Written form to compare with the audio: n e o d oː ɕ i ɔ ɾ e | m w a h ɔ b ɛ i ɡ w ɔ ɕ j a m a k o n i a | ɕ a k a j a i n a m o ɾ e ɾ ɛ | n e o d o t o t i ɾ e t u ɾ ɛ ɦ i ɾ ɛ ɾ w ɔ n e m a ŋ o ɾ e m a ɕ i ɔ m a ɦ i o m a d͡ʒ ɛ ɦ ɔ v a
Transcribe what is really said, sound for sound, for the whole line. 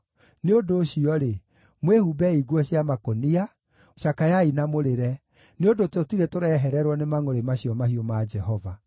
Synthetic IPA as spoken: n e o d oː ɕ i ɔ ɾ e | m w e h u b ɛ i ɡ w ɔ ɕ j a m a k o n i a | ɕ a k a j a i n a m o ɾ e ɾ ɛ | n e o d o t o t i ɾ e t o ɾ ɛ ɦ ɛ ɾ ɛ ɾ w ɔ n e m a ŋ o ɾ e m a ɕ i ɔ m a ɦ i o m a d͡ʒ ɛ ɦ ɔ v a